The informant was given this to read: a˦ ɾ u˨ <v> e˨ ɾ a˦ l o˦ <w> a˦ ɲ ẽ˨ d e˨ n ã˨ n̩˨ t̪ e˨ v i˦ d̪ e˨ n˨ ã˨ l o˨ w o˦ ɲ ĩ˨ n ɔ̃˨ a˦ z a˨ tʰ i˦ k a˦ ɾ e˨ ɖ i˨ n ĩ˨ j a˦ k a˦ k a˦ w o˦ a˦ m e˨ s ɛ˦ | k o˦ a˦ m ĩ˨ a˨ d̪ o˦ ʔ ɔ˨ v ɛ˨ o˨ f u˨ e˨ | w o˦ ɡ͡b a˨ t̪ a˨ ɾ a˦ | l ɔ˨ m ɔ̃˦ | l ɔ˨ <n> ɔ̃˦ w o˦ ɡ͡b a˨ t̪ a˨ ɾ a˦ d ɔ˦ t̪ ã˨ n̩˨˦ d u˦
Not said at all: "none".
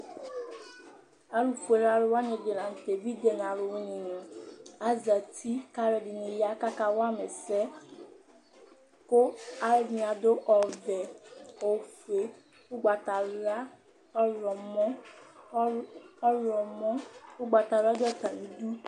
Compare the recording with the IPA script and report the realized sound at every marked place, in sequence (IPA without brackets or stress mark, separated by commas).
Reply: f, w, m